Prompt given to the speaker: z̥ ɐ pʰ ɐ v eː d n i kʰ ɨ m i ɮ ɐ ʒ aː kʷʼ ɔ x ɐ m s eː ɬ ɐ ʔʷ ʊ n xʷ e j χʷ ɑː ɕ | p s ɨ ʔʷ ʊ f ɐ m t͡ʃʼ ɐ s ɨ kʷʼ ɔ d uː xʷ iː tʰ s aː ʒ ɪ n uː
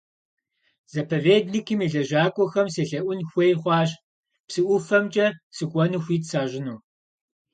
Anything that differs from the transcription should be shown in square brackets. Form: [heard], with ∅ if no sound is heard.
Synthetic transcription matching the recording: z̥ ɐ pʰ ɐ v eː d n i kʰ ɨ m i ɮ ɐ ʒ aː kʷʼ ɔ x ɐ m s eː ɬ ɐ ʔʷ ʊ n xʷ e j χʷ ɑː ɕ | p s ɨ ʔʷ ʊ f ɐ m t͡ʃʼ ɐ s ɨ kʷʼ ɔ [n] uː xʷ iː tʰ s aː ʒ ɪ n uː